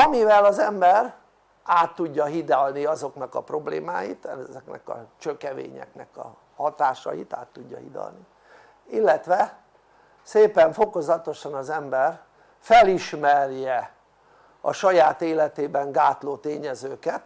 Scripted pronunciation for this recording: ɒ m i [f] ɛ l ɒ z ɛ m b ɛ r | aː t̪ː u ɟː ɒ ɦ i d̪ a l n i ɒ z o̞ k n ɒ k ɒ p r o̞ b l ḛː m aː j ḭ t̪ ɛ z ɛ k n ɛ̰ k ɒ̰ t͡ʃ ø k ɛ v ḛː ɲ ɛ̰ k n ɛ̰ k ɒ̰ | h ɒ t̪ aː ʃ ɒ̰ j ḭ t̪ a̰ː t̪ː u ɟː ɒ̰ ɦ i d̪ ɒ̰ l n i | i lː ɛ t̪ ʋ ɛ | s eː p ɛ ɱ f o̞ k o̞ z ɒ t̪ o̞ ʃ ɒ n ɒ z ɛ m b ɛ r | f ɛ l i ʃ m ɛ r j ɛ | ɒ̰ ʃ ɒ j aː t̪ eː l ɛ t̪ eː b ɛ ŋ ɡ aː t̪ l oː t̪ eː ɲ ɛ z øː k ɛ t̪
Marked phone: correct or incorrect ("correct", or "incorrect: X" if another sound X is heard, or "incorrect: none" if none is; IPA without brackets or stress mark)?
incorrect: v